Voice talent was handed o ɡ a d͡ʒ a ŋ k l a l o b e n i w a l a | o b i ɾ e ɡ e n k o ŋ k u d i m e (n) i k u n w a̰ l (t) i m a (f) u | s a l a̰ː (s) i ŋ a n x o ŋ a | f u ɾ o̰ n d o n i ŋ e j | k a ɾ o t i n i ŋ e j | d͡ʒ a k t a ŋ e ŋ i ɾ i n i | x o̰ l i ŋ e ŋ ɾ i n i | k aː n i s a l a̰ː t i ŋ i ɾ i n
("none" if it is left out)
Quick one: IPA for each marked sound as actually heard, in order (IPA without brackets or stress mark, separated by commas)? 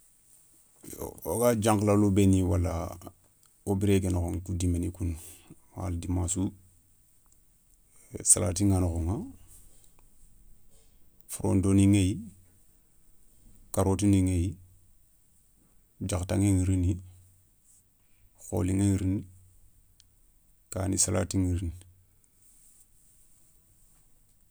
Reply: n, d, s, t